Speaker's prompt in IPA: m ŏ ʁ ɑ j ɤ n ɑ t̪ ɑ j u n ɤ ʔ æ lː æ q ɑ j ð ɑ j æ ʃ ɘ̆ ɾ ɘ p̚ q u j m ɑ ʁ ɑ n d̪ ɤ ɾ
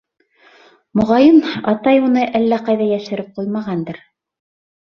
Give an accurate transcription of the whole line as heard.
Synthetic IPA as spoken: m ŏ ʁ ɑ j ɤ n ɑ t̪ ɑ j u n ɤ ʔ æ lː æ q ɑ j ð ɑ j æ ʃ ɘ̆ ɾ ɘ p̚ q u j m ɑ ʁ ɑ n d̪ ɤ ɾ